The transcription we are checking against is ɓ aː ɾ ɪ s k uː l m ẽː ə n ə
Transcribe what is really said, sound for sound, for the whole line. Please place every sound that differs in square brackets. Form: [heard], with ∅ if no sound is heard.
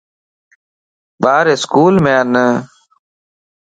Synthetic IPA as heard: ɓ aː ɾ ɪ s k uː l m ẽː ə n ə